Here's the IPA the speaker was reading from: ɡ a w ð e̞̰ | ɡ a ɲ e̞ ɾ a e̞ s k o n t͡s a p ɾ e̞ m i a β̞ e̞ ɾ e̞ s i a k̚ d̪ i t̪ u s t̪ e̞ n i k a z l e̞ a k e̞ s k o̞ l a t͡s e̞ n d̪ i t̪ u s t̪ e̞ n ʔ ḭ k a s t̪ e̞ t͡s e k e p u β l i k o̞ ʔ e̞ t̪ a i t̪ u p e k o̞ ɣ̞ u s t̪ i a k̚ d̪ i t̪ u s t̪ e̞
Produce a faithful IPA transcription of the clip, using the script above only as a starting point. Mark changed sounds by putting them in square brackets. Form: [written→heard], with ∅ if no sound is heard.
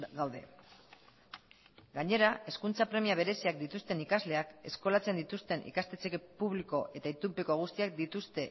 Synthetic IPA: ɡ a w ð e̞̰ | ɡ a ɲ e̞ ɾ a e̞ s k [o→u] n t͡s a p ɾ e̞ m i a β̞ e̞ ɾ e̞ s i a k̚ d̪ i t̪ u s t̪ e̞ n i k a z l e̞ a k e̞ s k o̞ l a t͡s e̞ n d̪ i t̪ u s t̪ e̞ n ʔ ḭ k a s t̪ e̞ t͡s e k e p u β l i k o̞ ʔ e̞ t̪ a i t̪ u p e k o̞ ɣ̞ u s t̪ i a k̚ d̪ i t̪ u s t̪ e̞